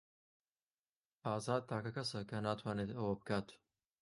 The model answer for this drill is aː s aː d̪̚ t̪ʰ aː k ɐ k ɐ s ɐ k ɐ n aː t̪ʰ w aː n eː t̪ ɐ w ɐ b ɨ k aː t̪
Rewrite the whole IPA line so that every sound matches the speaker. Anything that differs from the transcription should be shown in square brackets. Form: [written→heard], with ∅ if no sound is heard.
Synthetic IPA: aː [s→z] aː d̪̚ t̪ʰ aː k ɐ k ɐ s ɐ k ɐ n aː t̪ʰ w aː n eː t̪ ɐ w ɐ b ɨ k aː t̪